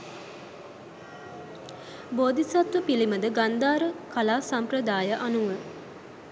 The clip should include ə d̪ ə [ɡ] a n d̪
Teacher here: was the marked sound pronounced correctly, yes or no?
yes